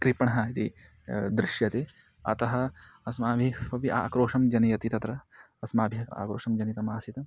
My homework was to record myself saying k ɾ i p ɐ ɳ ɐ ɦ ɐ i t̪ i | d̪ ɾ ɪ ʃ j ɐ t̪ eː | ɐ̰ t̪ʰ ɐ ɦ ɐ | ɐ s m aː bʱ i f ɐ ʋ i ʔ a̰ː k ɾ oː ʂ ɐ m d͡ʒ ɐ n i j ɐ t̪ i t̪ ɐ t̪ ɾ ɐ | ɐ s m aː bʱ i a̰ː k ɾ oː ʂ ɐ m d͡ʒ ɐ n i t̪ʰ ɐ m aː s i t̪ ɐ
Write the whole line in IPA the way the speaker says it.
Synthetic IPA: k ɾ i p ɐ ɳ ɐ ɦ ɐ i t̪ i | d̪ ɾ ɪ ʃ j ɐ t̪ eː | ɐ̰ t̪ ɐ ɦ ɐ | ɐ s m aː bʱ i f ɐ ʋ i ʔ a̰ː k ɾ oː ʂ ɐ m d͡ʒ ɐ n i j ɐ t̪ i t̪ ɐ t̪ ɾ ɐ | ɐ s m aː bʱ i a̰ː k ɾ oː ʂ ɐ m d͡ʒ ɐ n i t̪ ɐ m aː s i t̪ ɐ